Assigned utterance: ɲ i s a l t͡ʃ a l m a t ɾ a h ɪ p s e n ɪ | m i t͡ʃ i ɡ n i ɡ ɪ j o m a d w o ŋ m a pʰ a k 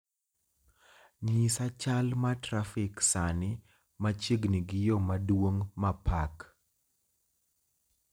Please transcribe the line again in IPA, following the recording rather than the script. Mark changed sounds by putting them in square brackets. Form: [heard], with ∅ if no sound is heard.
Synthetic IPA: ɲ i s a [∅] t͡ʃ a l m a t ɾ a [f] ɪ [k] s [a] n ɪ | m [a] t͡ʃ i ɡ n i ɡ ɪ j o m a d w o ŋ m a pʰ a k